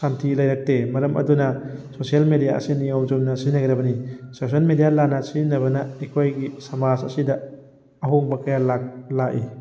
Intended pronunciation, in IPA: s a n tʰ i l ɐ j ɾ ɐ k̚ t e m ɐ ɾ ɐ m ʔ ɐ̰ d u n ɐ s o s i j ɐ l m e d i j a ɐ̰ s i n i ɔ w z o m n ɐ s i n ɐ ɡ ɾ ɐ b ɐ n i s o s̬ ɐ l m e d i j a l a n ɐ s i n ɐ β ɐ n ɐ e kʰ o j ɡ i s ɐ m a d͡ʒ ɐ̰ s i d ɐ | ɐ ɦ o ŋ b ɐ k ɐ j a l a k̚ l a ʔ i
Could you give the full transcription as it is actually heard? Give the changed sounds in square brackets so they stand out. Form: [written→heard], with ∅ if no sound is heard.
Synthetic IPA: s a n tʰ i l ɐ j ɾ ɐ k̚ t e m ɐ ɾ ɐ m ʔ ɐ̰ d u n ɐ s o s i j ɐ l m e d i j a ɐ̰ s i n i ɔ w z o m n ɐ s i n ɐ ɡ ɾ ɐ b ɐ n i s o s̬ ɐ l m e d i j a l a n ɐ s i n ɐ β ɐ n ɐ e kʰ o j ɡ i s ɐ m a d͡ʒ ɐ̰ s i d ɐ | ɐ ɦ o ŋ b ɐ k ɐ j a l a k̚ l a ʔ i